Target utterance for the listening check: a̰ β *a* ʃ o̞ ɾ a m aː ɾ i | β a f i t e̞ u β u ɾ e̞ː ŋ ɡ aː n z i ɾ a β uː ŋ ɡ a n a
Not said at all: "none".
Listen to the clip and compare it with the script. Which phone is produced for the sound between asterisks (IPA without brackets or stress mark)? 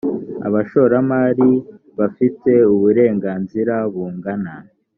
a